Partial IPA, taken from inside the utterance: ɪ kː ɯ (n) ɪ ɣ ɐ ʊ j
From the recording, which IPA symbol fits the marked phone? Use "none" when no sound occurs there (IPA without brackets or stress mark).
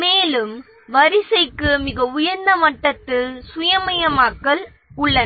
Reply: m